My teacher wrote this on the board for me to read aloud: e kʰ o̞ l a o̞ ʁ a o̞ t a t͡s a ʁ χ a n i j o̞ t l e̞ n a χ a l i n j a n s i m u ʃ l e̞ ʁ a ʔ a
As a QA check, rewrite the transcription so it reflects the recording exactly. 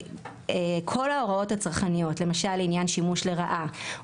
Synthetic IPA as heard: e kʰ o̞ l a o̞ ʁ a o̞ t a t͡s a ʁ χ a n i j o̞ t l e̞ m a ʃ a l i n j a n ʃ i m u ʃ l e̞ ʁ a ʔ a